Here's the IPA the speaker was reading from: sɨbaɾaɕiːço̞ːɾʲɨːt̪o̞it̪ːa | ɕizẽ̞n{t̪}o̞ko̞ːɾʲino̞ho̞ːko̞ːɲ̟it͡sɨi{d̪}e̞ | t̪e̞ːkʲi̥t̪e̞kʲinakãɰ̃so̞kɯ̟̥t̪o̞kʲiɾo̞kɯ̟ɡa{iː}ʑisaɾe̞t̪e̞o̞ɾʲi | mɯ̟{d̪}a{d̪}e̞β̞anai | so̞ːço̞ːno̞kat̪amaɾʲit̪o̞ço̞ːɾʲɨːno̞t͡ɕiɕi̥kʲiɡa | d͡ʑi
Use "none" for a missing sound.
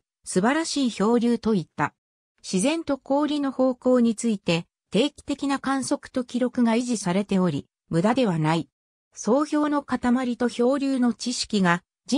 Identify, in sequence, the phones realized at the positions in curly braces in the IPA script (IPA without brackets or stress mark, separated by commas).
t̪, t̪, i, d̪, d̪